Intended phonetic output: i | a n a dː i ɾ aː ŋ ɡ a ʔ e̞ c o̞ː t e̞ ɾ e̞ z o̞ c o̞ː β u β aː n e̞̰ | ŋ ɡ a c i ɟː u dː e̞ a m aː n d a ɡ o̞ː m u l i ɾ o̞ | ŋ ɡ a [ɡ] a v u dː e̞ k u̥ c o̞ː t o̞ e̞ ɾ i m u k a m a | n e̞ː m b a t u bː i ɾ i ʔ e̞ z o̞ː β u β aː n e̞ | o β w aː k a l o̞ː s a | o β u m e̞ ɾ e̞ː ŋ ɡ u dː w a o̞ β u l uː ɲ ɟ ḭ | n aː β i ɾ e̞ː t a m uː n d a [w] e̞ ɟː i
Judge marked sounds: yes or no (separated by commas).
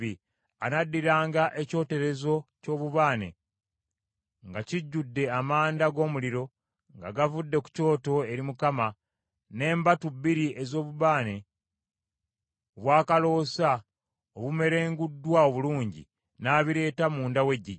yes, yes